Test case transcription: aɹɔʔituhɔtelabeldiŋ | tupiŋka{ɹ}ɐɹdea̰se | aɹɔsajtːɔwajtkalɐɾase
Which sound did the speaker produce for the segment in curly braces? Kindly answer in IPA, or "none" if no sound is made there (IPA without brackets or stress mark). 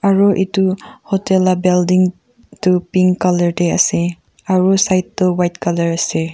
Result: l